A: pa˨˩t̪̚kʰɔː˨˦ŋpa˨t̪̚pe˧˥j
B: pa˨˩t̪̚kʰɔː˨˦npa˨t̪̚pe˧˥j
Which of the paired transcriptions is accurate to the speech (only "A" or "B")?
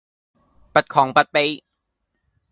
A